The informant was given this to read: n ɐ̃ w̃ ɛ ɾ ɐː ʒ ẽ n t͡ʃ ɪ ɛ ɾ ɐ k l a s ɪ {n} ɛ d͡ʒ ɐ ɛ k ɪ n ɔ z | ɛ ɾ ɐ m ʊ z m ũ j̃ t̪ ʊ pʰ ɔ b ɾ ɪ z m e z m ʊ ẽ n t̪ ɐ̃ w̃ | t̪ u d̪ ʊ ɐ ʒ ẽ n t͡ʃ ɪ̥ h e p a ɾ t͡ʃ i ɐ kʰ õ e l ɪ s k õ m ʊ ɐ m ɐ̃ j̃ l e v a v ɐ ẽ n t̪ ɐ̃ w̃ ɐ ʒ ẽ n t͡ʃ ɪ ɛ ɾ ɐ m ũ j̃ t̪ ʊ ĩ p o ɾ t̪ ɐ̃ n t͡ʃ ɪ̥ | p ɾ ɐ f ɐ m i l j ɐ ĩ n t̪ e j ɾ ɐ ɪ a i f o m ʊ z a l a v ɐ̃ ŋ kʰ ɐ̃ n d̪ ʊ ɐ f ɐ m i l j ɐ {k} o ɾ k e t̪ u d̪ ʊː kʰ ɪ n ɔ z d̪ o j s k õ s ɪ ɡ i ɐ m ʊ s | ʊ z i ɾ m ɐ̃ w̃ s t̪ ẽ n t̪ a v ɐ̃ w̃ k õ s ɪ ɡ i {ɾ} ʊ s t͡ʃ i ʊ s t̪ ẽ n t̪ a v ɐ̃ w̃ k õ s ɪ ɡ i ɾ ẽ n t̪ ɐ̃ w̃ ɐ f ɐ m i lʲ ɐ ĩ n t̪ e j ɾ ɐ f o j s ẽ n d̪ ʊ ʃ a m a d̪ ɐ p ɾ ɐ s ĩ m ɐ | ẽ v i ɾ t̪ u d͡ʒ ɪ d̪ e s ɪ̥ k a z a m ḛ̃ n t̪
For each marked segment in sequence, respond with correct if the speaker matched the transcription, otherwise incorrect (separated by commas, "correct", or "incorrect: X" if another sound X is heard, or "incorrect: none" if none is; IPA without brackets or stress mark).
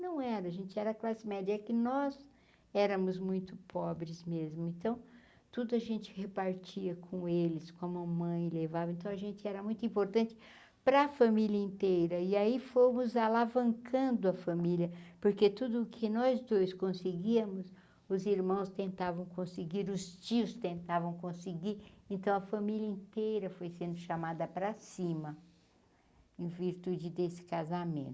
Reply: incorrect: m, incorrect: p, correct